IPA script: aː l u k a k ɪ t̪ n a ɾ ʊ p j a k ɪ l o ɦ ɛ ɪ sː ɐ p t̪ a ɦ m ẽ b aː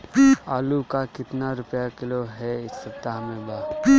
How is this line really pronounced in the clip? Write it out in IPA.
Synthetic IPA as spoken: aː l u k a k ɪ t̪ n a ɾ ʊ p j a k ɪ l o ɦ ɛ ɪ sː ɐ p t̪ a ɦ m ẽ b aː